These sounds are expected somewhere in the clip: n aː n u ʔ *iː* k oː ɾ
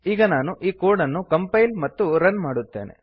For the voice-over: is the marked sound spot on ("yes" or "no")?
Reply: yes